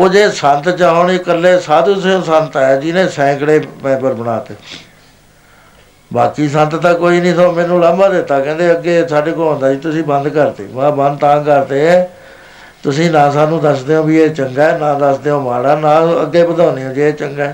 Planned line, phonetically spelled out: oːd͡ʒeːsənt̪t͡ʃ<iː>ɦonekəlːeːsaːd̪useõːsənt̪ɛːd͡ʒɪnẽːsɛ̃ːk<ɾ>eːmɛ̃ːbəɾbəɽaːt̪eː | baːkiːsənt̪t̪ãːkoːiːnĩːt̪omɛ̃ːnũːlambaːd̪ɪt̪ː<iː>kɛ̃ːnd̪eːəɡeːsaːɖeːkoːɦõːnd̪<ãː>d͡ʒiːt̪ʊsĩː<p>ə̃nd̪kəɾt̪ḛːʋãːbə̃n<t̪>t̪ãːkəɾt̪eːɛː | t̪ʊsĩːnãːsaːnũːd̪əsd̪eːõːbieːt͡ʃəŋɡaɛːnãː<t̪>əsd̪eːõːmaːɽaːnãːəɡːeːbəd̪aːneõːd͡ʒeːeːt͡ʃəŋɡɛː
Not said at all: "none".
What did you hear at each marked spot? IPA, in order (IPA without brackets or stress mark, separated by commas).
aː, ɽ, aː, aː, b, d̪, d̪